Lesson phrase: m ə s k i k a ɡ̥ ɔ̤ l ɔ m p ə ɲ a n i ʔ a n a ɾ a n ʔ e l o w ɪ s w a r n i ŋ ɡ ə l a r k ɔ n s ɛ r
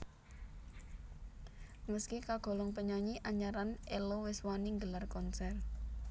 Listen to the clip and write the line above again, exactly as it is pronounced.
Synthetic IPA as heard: m ə s k i k a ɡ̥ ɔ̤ l ɔ ŋ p ə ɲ a ɲ i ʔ a ɲ a ɾ a n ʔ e l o w ɪ s w a n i ŋ ɡ ə l a r k ɔ n s ɛ r